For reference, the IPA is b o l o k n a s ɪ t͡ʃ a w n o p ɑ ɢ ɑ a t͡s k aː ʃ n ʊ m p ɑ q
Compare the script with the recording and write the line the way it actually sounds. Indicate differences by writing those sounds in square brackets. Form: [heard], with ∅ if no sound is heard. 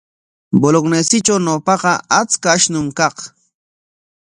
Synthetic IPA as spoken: b o l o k n [e] s ɪ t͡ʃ a w n o p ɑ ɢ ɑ a t͡s k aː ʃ n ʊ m [k] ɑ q